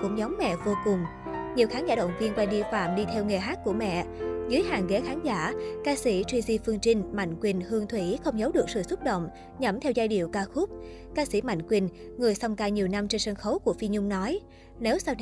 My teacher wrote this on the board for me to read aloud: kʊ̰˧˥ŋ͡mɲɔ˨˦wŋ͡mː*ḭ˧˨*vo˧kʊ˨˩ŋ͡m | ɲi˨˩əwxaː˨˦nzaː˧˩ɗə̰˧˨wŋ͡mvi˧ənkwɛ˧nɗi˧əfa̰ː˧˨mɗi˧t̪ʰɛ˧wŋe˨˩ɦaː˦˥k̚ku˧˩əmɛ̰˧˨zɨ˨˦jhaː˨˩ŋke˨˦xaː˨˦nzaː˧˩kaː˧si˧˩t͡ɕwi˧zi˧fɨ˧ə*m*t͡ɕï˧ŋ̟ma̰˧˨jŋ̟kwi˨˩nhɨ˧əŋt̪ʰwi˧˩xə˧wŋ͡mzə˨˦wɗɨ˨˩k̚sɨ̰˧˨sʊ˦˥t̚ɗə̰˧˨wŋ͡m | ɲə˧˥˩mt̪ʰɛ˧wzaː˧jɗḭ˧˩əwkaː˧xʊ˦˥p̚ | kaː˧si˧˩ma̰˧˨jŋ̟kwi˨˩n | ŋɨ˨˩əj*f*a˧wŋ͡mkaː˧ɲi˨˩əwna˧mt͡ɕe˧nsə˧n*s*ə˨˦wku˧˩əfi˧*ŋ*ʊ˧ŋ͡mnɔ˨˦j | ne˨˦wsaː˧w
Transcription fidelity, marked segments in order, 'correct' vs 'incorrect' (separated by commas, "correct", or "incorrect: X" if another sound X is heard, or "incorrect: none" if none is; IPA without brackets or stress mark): incorrect: ɛ̰˧˨, incorrect: ŋ, incorrect: s, incorrect: x, incorrect: ɲ